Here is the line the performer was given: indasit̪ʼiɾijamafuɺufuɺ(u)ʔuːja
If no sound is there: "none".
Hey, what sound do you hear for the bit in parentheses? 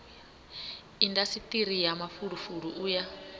u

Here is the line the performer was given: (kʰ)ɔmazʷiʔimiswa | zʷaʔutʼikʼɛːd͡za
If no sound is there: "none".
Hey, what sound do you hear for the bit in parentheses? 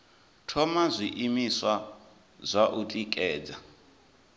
tʰ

